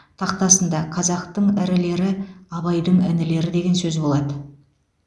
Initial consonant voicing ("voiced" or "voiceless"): voiceless